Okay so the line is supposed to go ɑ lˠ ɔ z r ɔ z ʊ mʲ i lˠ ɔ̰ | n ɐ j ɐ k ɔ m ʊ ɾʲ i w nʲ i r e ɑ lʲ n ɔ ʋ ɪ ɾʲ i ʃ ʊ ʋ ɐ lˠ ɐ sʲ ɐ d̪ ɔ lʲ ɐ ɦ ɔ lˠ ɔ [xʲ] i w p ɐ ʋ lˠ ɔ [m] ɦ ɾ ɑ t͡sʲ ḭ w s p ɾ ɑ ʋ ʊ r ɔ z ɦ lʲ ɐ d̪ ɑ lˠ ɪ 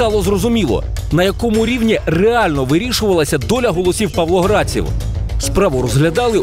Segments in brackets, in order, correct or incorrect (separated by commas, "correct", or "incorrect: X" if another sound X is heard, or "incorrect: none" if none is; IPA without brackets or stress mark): incorrect: sʲ, incorrect: none